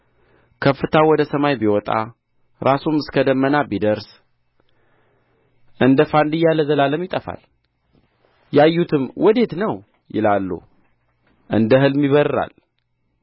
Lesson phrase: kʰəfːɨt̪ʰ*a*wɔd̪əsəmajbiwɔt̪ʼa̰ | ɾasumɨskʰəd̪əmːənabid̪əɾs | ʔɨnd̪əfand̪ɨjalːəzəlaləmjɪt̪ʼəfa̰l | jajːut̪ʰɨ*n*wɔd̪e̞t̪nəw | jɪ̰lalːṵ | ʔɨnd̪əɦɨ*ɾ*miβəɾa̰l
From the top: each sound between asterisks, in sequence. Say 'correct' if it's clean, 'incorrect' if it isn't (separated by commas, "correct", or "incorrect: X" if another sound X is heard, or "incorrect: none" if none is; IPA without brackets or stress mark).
correct, incorrect: m, incorrect: l